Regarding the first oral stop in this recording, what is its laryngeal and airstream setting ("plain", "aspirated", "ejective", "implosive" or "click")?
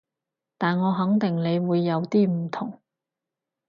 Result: plain